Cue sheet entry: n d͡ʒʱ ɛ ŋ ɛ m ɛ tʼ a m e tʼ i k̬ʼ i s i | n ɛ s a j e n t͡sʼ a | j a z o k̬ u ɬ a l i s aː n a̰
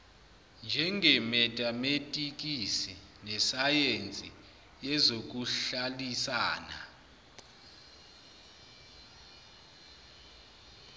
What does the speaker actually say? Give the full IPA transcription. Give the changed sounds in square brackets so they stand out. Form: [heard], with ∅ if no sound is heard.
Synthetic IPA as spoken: n d͡ʒʱ ɛ ŋ ɛ m ɛ tʼ a m e tʼ i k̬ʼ i s i | n ɛ s a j e n t͡sʼ [i] | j [ɛ] z o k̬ u ɬ a l i s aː n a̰